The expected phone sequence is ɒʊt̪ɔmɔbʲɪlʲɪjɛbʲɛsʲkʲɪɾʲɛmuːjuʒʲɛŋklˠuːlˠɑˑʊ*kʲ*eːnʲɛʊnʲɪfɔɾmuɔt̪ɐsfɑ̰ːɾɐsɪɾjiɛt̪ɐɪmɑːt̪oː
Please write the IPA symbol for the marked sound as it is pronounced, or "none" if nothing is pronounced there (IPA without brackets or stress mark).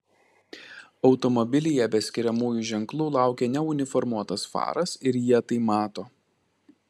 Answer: kʲ